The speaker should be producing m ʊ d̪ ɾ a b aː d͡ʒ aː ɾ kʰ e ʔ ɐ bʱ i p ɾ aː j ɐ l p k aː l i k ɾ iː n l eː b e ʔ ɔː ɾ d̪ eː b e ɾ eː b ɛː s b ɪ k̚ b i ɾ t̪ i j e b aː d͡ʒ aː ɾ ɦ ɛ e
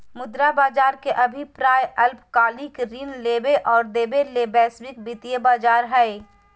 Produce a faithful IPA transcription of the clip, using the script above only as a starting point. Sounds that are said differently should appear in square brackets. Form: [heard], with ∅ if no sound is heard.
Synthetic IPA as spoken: m ʊ d̪ ɾ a b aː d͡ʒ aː ɾ [k] e ʔ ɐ bʱ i p ɾ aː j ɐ l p k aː l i k ɾ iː n l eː b e ʔ ɔː ɾ d̪ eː b e [l] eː b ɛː s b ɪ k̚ b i [∅] t̪ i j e b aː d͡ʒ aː ɾ ɦ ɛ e